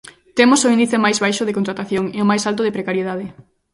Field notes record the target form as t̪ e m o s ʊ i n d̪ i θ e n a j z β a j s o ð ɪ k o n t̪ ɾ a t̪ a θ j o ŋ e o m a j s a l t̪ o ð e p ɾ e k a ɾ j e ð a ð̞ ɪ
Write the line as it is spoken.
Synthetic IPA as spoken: t̪ e m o s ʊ i n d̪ i θ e m a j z β a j ʃ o ð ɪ k o n t̪ ɾ a t̪ a θ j o ŋ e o m a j s a l t̪ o ð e p ɾ e k a ɾ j e ð a ð̞ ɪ